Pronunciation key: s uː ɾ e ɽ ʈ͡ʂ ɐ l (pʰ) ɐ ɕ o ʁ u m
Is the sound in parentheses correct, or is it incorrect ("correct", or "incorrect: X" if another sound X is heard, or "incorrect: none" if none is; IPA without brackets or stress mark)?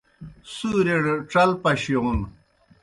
incorrect: p